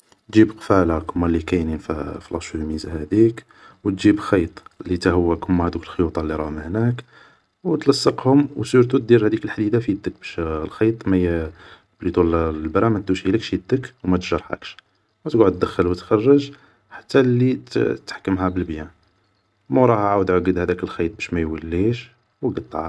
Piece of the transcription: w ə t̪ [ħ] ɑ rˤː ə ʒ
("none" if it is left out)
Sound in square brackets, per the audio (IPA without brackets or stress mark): x